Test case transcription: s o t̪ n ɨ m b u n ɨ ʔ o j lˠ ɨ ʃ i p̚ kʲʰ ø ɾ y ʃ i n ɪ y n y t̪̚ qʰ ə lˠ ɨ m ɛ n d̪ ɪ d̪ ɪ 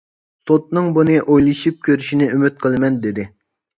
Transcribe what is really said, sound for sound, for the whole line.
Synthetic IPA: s o t̪ n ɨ ŋ b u n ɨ ʔ o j lˠ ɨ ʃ i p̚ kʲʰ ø ɾ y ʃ i n ɪ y m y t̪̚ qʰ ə lˠ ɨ m ɛ n d̪ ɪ d̪ ɪ